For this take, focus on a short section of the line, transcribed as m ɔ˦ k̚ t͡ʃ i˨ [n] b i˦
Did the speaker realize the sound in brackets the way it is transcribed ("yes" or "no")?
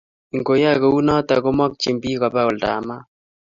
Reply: no